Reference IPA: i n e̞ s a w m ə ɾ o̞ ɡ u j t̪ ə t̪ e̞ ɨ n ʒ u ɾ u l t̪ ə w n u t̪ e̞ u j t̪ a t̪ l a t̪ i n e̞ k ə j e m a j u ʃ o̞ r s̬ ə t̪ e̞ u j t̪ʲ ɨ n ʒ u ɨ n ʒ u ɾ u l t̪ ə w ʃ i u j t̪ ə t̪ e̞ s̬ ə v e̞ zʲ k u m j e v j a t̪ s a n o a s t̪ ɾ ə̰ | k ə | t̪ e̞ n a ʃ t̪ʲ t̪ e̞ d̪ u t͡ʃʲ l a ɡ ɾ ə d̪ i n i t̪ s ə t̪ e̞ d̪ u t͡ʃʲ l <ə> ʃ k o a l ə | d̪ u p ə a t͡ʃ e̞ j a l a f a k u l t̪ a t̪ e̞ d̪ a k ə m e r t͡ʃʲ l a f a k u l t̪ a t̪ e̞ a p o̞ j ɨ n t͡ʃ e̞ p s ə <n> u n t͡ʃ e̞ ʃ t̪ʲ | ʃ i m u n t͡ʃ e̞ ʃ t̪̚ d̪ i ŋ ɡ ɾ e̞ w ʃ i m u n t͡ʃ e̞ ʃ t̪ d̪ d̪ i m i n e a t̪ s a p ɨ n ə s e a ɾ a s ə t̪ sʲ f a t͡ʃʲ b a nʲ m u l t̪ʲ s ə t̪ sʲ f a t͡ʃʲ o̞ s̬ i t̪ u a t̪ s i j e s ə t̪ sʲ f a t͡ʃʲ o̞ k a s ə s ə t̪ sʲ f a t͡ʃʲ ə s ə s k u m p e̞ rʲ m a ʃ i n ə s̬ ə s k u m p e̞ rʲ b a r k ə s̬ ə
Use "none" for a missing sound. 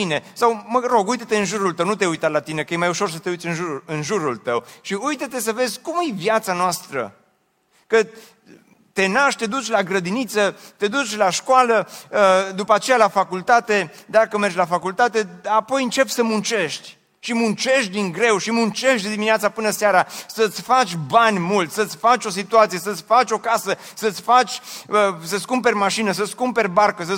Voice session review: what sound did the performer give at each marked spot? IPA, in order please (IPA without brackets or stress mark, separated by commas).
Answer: a, m